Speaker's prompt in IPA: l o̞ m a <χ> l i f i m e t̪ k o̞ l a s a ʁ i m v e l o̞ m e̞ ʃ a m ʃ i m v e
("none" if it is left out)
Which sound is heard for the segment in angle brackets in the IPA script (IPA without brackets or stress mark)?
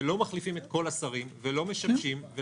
χ